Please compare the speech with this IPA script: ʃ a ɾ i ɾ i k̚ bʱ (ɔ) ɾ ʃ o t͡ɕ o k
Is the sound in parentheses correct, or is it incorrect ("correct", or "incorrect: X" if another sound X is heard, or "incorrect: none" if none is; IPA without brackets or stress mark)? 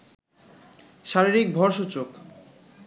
correct